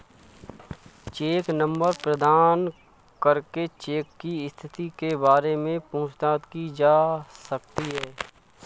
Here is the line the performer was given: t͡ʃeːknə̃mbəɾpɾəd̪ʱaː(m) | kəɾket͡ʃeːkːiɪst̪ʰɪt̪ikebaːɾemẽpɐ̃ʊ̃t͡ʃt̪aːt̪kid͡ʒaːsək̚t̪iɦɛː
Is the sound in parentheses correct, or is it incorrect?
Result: incorrect